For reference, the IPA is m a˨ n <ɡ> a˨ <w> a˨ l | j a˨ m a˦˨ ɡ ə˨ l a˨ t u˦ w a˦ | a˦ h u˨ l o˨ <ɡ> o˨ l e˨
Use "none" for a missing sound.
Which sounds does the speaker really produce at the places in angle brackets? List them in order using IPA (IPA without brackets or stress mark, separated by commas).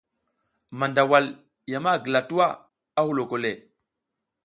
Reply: d, w, k